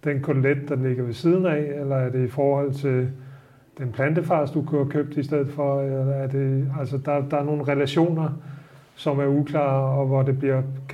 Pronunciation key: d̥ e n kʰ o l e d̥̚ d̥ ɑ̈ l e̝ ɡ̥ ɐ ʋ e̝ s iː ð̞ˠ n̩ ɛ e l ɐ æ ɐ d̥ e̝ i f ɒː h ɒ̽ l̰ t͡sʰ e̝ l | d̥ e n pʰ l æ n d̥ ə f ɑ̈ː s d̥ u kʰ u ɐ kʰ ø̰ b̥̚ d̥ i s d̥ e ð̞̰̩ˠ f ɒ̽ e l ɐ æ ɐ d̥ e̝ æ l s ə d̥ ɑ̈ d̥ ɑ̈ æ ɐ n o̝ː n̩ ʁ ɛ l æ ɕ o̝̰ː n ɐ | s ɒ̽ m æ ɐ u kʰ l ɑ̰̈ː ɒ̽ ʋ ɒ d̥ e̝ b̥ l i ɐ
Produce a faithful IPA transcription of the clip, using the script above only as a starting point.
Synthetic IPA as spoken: d̥ e n kʰ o l e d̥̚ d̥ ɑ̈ l e̝ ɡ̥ ɐ ʋ e̝ s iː ð̞ˠ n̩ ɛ e l ɐ æ ɐ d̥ e̝ i f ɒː h ɒ̽ l̰ t͡sʰ e̝ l | d̥ e n pʰ l æ n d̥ ə f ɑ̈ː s d̥ u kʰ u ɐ kʰ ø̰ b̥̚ d̥ i s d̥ e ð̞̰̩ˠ f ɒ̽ e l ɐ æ ɐ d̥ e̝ æ l s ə d̥ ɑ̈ d̥ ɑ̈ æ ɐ n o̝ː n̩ ʁ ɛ l æ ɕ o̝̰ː n ɐ | s ɒ̽ m æ ɐ u kʰ l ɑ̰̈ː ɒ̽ ʋ ɒ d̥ e̝ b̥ l i ɐ